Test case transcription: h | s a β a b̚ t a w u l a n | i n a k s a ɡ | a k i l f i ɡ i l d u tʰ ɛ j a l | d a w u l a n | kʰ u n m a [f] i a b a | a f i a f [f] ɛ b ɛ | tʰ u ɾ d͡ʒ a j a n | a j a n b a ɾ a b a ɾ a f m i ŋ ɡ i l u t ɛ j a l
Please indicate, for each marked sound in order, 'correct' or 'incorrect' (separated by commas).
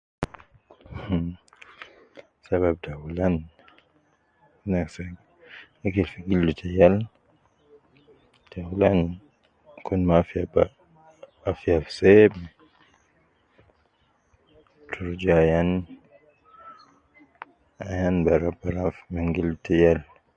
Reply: correct, incorrect